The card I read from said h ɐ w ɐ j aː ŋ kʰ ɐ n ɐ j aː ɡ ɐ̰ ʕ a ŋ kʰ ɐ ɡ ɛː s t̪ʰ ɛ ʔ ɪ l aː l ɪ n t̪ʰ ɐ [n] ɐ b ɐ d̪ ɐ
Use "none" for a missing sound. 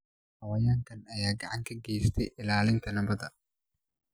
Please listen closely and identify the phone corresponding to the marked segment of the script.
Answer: n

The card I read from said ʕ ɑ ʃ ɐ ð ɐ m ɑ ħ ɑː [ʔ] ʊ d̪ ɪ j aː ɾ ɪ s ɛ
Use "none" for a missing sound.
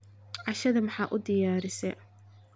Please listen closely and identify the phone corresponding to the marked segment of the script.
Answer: ʔ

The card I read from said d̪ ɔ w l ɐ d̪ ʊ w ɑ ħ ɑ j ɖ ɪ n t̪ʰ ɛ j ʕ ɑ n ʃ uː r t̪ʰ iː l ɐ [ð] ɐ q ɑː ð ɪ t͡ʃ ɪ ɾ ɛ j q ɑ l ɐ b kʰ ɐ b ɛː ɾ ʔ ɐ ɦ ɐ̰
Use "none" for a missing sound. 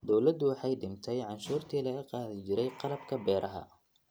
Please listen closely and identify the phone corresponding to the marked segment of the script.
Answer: ɣ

